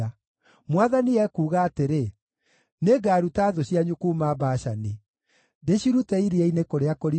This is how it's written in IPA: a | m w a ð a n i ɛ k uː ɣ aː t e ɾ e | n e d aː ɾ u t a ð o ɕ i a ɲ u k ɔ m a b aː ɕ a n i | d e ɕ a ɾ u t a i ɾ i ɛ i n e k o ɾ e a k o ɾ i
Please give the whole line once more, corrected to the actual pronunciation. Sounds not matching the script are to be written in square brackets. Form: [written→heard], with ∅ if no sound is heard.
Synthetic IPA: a | m w a ð a n i ɛ k uː ɣ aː t e ɾ e | n e [d→ɡ] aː ɾ u t a ð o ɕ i a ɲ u k [ɔ→u] m a b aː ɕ a n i | d e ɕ [a→i] ɾ u t [a→ɛ] i ɾ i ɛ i n e k o ɾ e a k o ɾ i

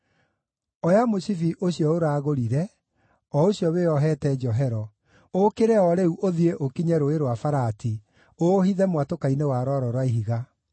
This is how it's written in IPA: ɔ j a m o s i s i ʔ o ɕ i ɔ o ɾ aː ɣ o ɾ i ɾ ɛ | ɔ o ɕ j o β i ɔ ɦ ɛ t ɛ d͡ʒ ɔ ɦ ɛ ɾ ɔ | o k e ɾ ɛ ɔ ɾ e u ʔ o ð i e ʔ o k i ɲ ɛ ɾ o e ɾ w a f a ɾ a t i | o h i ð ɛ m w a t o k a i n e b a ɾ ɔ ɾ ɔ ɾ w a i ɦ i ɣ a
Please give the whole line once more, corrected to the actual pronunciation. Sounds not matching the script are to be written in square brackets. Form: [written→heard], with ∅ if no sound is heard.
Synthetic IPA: ɔ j a m o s i [s→f] i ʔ o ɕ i ɔ o ɾ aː ɣ o ɾ i ɾ ɛ | ɔ o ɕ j [o→ɔ] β [i→e] ɔ ɦ ɛ t ɛ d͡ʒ ɔ ɦ ɛ ɾ ɔ | o k e ɾ ɛ ɔ ɾ e u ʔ o ð i e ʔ o k i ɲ ɛ ɾ o e ɾ w a f a ɾ a t i | o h i ð ɛ m w a t o k a i n e [b→w] a ɾ ɔ ɾ ɔ ɾ w a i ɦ i ɣ a

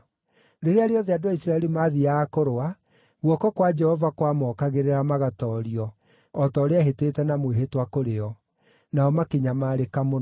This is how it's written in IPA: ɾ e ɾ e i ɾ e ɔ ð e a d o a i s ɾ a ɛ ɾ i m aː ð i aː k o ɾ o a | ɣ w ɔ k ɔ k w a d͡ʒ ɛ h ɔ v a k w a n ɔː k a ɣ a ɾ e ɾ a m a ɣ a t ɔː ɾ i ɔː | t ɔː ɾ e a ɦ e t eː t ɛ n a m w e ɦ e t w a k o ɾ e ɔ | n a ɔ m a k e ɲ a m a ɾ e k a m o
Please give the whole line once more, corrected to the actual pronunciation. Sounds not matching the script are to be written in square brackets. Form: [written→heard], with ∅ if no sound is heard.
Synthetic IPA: ɾ e ɾ e [i→a] ɾ e ɔ ð e a d o a i s ɾ a ɛ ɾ i m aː ð i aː k o ɾ o a | ɣ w ɔ k ɔ k w a d͡ʒ ɛ h ɔ v a k w a [n→m] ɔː k a ɣ [a→e] ɾ e ɾ a m a ɣ a t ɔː ɾ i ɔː | t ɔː ɾ e a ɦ e t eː t ɛ n a m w e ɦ e t w a k o ɾ e ɔ | n a ɔ m a k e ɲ a m a ɾ e k a m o

